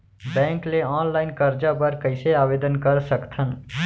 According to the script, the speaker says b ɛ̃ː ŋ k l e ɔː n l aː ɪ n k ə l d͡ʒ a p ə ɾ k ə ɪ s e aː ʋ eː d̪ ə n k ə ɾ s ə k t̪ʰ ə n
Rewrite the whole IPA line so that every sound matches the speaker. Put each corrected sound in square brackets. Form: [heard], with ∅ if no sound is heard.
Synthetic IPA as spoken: b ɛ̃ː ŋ k l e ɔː n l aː ɪ n k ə [ɾ] d͡ʒ a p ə ɾ k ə ɪ s e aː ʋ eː d̪ ə n k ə ɾ s ə k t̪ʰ ə n